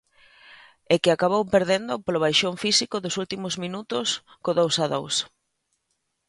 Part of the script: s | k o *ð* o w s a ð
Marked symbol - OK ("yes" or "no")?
yes